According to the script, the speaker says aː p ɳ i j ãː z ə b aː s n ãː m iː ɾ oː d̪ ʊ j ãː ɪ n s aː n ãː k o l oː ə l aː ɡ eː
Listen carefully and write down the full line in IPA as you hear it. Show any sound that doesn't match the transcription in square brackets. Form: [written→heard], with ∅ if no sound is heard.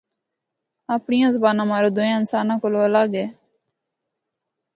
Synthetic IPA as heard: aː p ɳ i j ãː z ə b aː [s→∅] n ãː m [iː→aː] ɾ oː d̪ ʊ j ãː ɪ n s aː n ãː k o l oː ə l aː ɡ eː